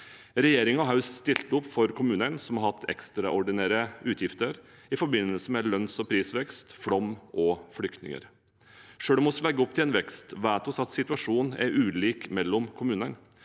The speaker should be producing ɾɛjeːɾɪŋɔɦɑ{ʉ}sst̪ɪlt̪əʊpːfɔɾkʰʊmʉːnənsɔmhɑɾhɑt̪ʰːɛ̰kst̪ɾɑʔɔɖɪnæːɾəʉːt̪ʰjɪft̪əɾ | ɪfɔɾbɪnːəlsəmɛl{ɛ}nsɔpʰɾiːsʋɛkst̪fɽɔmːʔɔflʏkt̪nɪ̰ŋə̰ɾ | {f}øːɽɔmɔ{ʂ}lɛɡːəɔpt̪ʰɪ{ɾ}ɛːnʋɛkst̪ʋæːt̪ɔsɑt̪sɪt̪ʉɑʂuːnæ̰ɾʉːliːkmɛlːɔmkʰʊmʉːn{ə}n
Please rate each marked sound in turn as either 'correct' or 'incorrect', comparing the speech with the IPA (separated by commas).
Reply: correct, incorrect, incorrect, incorrect, incorrect, correct